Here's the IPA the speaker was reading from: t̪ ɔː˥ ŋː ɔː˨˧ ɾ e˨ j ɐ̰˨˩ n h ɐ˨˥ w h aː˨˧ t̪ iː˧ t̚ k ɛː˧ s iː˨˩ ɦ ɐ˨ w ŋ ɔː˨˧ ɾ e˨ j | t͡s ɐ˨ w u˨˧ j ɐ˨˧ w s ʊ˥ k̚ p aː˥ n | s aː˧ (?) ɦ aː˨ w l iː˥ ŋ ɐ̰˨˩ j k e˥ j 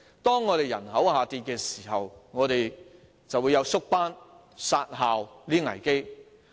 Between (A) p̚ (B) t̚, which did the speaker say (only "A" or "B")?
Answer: B